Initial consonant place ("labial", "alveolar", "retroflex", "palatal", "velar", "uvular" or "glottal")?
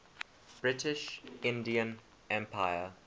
labial